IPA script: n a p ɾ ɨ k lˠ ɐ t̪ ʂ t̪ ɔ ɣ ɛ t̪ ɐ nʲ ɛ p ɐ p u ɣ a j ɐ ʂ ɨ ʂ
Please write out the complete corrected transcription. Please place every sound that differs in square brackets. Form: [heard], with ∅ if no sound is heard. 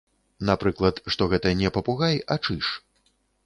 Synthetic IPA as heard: n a p ɾ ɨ k lˠ ɐ t̪ ʂ t̪ ɔ ɣ ɛ t̪ ɐ nʲ ɛ p ɐ p u ɣ a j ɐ [t͡ʂ] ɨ ʂ